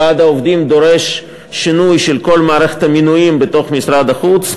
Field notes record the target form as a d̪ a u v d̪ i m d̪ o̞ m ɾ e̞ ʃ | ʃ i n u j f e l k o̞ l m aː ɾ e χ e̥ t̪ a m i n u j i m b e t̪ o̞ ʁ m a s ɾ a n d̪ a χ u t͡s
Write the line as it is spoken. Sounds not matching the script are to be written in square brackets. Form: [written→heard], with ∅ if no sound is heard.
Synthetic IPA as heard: a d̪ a [u→o] v d̪ i m d̪ o̞ [m→∅] ɾ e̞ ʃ | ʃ i n u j [f→ʃ] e l k o̞ l m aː ɾ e χ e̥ t̪ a m i n u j i m b e t̪ o̞ [ʁ→χ] m [a→i] s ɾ a [n→∅] d̪ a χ u t͡s

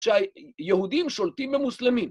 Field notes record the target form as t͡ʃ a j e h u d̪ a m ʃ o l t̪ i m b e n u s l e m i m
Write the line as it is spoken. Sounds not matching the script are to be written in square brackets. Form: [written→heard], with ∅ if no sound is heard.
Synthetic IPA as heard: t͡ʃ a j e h u d̪ [a→i] m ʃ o l t̪ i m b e [n→m] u s l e m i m

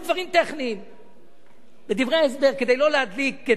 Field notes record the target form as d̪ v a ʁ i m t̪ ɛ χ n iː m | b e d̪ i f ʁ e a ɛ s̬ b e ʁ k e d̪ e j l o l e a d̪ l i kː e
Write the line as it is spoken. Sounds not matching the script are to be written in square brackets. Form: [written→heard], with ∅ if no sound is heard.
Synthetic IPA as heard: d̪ v a ʁ i m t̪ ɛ χ n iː m | b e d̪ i [f→v] ʁ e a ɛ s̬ b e ʁ k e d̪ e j l o l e a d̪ l i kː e

